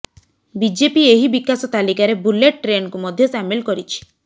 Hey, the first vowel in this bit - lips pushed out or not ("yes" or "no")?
no